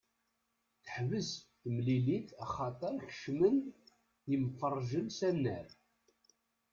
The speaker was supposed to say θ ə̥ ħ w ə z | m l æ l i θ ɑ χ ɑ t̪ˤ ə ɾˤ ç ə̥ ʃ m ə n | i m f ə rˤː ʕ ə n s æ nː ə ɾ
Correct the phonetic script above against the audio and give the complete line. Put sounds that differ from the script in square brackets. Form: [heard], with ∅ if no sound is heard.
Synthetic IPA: θ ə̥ ħ [v] ə z | m l [i] l i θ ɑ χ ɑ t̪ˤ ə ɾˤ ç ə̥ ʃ m ə n | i m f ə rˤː [ʒ] ə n s æ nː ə ɾ